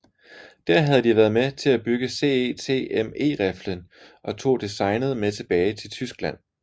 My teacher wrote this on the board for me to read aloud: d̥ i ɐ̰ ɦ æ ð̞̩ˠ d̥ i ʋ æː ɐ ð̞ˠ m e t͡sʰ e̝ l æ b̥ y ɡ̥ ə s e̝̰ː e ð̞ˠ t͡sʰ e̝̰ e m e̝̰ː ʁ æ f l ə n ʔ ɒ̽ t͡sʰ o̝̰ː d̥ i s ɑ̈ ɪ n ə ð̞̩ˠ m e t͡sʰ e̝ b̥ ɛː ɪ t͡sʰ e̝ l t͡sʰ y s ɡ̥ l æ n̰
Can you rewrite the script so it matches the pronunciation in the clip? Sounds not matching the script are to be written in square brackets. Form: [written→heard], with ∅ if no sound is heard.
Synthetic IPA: d̥ [i→æ] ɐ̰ ɦ æ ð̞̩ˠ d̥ i ʋ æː ɐ ð̞ˠ m e t͡sʰ e̝ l æ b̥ y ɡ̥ ə s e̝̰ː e [ð̞ˠ→∅] t͡sʰ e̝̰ e m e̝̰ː ʁ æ f l ə n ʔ ɒ̽ t͡sʰ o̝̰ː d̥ i s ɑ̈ ɪ n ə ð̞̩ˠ m e t͡sʰ e̝ b̥ ɛː ɪ t͡sʰ e̝ l t͡sʰ y s ɡ̥ l æ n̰